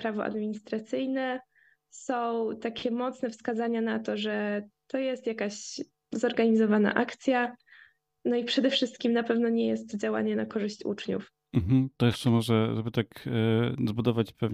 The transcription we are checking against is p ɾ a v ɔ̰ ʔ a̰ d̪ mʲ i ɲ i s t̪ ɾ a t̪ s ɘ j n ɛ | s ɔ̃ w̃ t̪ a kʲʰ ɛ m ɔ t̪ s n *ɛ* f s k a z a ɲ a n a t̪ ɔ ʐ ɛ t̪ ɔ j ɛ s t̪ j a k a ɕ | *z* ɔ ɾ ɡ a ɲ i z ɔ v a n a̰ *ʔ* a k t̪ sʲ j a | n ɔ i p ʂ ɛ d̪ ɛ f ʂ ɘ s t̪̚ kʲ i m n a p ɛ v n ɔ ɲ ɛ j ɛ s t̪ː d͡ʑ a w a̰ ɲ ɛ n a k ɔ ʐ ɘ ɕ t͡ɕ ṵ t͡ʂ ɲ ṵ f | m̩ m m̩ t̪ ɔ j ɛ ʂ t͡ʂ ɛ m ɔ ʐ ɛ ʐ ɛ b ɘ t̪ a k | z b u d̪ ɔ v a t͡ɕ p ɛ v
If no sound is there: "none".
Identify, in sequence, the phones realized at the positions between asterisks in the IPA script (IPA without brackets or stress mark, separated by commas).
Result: ɛ, z, ʔ